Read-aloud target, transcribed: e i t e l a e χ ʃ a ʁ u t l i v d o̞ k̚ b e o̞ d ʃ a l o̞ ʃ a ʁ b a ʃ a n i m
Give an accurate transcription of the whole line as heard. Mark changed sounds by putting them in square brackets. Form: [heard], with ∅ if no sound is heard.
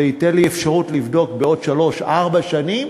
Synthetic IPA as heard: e i t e l [i] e [f] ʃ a ʁ u t l i v d o̞ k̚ b e o̞ d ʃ a l o̞ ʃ a ʁ b a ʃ a n i m

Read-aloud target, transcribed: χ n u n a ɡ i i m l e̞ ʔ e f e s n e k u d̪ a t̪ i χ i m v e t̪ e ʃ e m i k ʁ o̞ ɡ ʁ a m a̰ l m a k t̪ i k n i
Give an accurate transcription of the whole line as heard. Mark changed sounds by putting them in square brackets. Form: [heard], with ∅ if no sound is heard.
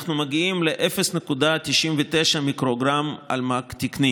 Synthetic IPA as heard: χ n u [m] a ɡ i i m l e̞ ʔ e f e s n e k u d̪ a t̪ i [ʃ] i m v e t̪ e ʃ [a] m i k ʁ o̞ ɡ ʁ a m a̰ l m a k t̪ i k n i

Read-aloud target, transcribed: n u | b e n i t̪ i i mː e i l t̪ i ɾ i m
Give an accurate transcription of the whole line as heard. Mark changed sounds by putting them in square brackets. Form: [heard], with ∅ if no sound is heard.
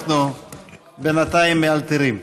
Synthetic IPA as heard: n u | b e n [a] t̪ [a] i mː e [a] l t̪ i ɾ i m

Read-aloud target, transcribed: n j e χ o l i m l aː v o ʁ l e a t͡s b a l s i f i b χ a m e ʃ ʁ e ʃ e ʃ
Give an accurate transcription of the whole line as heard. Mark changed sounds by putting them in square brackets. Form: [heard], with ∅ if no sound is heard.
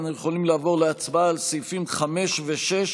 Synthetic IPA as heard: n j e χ o l i m l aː v o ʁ l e a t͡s b a l s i f i [m] χ a m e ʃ [v] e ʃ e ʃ

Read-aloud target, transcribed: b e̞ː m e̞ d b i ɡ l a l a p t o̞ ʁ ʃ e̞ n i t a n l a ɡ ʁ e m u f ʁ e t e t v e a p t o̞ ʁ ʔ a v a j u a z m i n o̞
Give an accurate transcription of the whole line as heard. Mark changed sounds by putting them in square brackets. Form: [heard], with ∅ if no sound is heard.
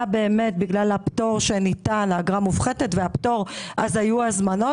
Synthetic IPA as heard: b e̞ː m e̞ [t] b i ɡ l a l a p t o̞ ʁ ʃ e̞ n i t a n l a ɡ ʁ [a] m u f [χ] e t e t v e a p t o̞ ʁ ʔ a [z] a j u a z m [a] n o̞

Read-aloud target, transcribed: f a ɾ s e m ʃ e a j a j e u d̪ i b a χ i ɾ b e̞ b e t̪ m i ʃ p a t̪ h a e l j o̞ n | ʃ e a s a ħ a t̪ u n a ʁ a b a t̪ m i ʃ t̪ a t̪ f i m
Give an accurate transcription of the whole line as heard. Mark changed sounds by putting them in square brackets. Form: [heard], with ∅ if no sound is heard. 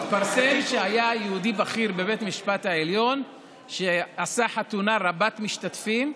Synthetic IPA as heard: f a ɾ s e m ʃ e a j a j e u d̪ i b a χ i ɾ b e̞ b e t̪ m i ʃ p a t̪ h a e l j o̞ n | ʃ e a s a ħ a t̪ u n a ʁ a b a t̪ m i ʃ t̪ a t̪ f i m

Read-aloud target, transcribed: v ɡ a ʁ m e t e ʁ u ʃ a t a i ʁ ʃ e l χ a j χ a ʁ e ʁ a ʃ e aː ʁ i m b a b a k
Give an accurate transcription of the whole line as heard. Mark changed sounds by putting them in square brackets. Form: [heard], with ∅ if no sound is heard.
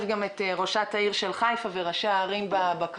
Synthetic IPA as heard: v ɡ a [∅] m e t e ʁ [o] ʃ a t a i ʁ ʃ e l χ a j [f] a [v] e ʁ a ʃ e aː ʁ i m b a b a k

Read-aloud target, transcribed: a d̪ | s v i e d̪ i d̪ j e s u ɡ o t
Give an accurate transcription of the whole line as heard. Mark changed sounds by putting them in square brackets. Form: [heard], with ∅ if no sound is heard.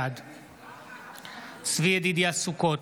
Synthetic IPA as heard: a d̪ | s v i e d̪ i d̪ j [a] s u [k] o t

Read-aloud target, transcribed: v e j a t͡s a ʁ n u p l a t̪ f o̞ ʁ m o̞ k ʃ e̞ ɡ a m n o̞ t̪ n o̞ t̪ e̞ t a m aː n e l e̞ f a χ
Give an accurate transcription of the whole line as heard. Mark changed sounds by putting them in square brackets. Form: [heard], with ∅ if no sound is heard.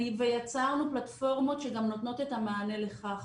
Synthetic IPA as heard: v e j a t͡s a ʁ n u p l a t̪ f o̞ ʁ m o̞ [t] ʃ e̞ ɡ a m n o̞ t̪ n o̞ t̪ e̞ t a m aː n e l e̞ [χ] a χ

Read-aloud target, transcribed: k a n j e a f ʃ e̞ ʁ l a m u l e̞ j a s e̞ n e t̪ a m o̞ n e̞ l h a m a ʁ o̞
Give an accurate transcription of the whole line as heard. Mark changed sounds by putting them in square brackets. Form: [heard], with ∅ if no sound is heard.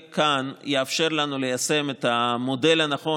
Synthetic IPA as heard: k a n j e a f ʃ e̞ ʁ l a [n] u l e̞ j a s e̞ [m] e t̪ a m o̞ [d] e̞ l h a [n] a [χ] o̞

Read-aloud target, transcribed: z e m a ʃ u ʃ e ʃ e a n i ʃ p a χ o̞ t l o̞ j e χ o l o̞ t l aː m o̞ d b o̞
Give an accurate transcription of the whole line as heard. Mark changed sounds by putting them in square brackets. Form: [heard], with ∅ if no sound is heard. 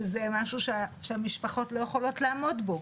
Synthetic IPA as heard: z e m a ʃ u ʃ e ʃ e a [m] i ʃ p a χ o̞ t l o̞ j e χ o l o̞ t l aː m o̞ d b o̞

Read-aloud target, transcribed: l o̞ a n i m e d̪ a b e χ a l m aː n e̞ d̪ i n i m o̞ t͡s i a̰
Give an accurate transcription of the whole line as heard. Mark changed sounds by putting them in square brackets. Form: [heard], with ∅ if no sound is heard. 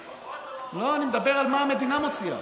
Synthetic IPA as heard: l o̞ a n i m e d̪ a b e [ʁ] a l m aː [m] e̞ d̪ i n [a] m o̞ t͡s i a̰

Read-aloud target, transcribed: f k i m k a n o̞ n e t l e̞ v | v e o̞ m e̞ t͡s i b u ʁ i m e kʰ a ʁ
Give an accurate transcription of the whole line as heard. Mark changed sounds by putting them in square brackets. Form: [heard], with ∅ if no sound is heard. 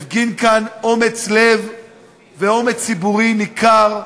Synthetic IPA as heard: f [ɡ] i [n] k a n o̞ [m] e [t͡s] l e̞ v | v e o̞ m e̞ t͡s i b u ʁ i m [i] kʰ a ʁ

